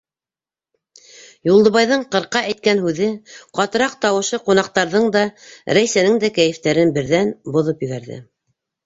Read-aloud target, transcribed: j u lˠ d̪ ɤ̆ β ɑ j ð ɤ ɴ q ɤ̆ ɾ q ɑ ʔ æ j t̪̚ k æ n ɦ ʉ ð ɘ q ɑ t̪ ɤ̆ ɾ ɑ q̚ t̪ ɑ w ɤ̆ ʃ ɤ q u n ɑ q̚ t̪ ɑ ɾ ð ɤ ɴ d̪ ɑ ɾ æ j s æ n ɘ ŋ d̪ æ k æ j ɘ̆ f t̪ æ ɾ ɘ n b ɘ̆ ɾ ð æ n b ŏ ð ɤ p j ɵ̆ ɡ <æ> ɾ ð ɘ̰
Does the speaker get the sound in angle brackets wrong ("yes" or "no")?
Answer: no